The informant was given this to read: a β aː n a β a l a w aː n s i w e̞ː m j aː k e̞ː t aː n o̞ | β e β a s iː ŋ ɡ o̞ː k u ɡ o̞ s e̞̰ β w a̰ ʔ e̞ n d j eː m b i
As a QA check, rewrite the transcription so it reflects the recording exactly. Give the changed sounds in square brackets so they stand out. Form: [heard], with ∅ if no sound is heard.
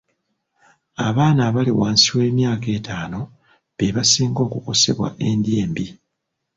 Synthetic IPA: a β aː n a β a l [i] w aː n s i w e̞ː m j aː k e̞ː t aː n o̞ | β e β a s iː ŋ ɡ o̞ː k u [k] o̞ s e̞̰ β w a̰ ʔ e̞ n d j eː m b i